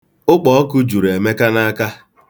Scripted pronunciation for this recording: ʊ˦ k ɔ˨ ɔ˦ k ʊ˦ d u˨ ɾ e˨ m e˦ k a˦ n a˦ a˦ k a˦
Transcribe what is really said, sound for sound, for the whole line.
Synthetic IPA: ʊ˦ k͡p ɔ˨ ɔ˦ k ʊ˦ d͡ʒ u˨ ɾ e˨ m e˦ k a˦ n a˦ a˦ k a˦